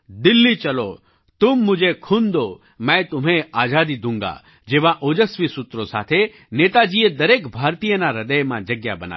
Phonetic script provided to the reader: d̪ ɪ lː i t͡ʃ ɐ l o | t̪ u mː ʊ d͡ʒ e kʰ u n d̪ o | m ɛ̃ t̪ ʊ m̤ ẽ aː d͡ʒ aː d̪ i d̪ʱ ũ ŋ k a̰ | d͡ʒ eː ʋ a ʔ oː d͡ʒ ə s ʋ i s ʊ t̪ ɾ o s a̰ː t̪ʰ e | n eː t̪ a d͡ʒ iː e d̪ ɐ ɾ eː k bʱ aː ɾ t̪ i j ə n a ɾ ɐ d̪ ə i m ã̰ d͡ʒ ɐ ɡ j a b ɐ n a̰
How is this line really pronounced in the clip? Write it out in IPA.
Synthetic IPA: d̪ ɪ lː i t͡ʃ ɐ l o | t̪ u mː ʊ d͡ʒ e kʰ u n d̪ o | m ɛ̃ t̪ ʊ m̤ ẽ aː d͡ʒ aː d̪ i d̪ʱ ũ ŋ ɡ a̰ | d͡ʒ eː ʋ a ʔ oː d͡ʒ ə s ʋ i s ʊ t̪ ɾ o s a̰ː t̪ʰ e | n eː t̪ a d͡ʒ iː e d̪ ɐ ɾ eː k bʱ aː ɾ t̪ i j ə n a ɾ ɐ d̪ ə j m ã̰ d͡ʒ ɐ ɡ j a b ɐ n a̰